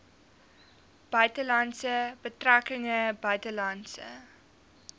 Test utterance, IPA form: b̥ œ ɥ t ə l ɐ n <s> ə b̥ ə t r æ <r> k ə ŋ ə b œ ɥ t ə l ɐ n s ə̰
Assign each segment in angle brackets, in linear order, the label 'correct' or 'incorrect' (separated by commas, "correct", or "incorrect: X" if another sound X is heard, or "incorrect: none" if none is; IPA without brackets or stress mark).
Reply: correct, incorrect: none